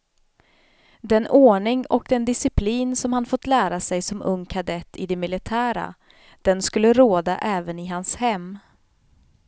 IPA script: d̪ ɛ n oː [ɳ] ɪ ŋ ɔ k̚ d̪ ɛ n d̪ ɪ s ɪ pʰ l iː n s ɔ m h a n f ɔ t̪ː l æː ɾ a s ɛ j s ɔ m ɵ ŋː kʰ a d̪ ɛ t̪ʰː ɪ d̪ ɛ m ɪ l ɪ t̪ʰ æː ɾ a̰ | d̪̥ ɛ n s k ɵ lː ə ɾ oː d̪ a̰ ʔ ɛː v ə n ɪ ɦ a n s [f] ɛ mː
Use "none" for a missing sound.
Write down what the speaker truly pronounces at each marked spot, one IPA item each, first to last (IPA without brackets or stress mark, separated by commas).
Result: ɳ, h